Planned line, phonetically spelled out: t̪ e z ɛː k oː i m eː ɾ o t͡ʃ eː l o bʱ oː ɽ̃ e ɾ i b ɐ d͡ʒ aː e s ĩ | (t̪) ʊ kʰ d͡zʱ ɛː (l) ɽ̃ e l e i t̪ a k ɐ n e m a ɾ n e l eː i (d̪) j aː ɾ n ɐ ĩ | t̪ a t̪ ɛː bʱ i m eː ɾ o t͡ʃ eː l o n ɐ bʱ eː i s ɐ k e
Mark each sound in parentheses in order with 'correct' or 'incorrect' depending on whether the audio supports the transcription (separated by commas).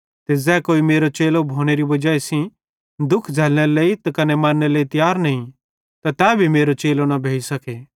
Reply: incorrect, correct, incorrect